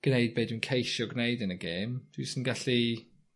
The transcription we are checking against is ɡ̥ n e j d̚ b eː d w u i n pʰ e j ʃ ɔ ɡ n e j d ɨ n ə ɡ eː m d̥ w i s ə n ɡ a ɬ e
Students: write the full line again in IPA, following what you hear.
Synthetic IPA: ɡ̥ n e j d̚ b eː d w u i n kʰ e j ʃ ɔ ɡ n e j d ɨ n ə ɡ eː m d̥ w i s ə n ɡ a ɬ i